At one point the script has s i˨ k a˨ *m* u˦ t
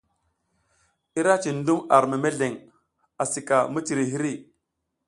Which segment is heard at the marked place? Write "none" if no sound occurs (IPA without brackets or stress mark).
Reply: m